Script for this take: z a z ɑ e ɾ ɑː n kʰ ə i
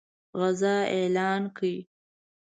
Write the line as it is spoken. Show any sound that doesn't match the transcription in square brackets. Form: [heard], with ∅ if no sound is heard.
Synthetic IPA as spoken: [ɣ] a z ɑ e [l] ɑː n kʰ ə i